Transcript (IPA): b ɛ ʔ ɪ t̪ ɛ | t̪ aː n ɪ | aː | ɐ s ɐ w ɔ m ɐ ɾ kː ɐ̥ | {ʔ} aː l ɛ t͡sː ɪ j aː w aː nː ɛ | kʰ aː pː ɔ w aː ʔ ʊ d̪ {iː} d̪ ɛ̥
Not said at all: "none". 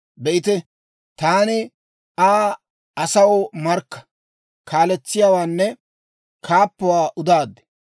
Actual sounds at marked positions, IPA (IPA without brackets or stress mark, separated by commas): k, aː